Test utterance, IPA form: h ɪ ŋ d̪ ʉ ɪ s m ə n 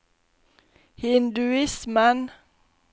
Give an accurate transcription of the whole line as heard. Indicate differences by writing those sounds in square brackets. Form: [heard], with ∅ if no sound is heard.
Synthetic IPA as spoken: h ɪ [n] d̪ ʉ ɪ s m ə n